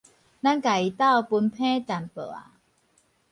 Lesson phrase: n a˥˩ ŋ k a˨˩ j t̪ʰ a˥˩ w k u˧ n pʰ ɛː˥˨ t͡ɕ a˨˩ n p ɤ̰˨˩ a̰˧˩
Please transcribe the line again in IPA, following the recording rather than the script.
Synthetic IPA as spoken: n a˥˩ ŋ k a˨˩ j t̪ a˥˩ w p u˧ n pʰ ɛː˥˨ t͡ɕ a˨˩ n p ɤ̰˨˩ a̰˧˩